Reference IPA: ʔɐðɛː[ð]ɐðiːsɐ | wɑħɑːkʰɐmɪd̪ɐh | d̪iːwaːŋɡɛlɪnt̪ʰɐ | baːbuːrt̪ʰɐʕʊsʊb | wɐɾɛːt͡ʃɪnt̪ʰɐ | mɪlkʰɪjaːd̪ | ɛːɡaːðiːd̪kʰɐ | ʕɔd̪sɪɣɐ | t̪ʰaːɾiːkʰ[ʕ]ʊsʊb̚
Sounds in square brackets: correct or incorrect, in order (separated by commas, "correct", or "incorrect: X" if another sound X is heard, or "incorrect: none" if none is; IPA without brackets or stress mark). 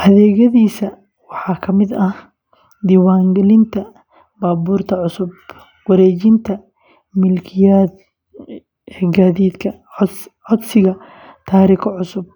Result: incorrect: ɣ, correct